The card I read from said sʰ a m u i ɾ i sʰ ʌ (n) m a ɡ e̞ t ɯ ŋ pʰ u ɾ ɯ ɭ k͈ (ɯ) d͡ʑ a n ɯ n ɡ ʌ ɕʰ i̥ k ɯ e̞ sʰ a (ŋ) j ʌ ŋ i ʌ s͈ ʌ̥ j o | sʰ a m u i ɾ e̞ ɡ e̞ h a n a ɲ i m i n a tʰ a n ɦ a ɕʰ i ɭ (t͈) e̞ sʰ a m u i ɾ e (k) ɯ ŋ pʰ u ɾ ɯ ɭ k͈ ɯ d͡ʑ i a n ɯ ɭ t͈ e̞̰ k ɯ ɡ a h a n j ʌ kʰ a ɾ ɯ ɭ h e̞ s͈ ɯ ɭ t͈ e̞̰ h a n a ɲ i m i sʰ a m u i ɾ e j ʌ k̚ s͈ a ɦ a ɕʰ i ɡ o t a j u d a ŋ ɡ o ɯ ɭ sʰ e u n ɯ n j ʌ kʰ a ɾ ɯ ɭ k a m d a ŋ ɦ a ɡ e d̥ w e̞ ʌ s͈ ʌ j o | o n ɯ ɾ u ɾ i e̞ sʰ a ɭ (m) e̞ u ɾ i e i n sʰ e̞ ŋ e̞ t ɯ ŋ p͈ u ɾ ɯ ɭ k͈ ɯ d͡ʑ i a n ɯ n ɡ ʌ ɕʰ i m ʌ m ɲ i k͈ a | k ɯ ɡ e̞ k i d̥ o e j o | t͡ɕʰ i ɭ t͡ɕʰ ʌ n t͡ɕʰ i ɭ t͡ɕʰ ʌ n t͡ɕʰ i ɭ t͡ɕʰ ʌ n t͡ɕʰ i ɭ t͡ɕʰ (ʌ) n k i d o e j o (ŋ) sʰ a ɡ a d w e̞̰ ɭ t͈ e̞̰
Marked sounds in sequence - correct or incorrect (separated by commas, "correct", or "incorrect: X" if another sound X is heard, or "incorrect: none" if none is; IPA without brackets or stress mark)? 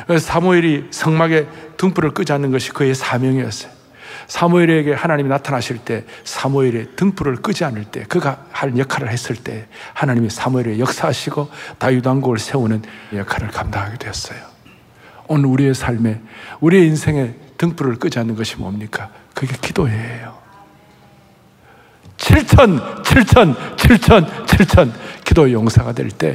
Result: incorrect: ŋ, correct, incorrect: m, correct, incorrect: t, correct, correct, correct